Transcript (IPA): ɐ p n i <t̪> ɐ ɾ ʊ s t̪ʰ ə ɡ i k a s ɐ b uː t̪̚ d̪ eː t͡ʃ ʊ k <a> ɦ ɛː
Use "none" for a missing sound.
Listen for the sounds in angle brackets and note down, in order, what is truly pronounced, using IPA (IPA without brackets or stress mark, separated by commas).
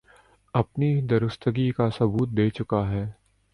d̪, a